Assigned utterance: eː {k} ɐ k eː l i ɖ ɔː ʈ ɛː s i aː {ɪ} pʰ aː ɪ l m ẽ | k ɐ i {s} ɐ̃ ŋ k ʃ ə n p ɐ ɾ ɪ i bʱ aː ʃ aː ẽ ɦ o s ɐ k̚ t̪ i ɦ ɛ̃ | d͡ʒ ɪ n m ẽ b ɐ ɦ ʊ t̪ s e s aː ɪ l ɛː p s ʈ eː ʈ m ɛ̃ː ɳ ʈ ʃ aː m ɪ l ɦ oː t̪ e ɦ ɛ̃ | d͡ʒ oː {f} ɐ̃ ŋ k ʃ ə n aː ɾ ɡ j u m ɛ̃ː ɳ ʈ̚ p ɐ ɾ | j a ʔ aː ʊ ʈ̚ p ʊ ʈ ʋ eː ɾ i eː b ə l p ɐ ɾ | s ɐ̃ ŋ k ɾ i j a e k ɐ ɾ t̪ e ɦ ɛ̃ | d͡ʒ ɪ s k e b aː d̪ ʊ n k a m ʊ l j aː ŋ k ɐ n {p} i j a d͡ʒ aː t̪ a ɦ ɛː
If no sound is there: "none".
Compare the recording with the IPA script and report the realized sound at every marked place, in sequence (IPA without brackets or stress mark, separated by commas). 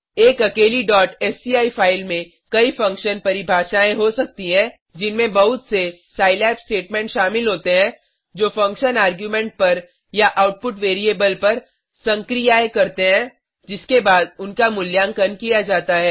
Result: k, i, f, f, k